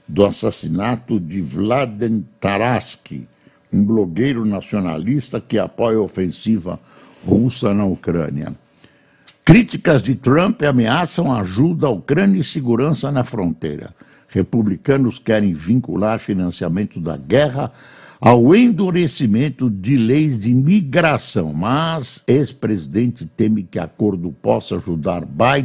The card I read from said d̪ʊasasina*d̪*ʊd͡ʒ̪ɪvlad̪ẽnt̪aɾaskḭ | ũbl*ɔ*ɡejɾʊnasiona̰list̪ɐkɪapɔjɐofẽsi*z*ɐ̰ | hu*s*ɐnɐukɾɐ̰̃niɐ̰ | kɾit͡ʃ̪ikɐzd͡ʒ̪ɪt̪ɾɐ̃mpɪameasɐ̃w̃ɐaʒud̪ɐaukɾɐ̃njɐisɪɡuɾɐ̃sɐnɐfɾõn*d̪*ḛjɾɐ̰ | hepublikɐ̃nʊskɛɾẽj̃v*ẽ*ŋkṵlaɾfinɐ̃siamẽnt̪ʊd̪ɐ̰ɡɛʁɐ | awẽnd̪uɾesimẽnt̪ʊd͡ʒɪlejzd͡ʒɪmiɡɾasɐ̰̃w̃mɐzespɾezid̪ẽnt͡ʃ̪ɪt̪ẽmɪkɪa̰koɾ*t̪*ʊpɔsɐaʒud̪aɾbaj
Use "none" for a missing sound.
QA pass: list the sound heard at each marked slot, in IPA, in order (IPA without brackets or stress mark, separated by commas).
t̪, o, v, s, t̪, ĩ, d̪